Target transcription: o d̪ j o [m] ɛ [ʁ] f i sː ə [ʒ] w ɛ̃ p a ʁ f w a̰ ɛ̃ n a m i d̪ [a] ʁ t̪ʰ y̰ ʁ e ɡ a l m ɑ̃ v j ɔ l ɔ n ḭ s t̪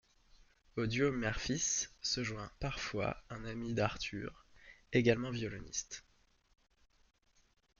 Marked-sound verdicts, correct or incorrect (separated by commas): correct, correct, correct, correct